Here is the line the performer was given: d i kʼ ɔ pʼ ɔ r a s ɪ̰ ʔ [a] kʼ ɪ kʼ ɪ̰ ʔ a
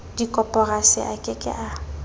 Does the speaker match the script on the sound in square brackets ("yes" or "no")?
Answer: yes